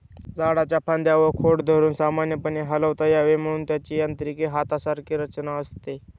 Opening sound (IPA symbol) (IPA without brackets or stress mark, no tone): d͡z